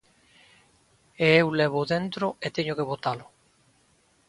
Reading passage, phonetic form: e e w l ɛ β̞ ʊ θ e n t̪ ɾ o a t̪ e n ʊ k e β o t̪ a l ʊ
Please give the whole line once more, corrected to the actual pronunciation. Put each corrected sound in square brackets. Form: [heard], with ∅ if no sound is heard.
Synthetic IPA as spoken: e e w l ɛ β̞ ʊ [ð] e n t̪ ɾ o [e] t̪ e [ɲ] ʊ k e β o t̪ a l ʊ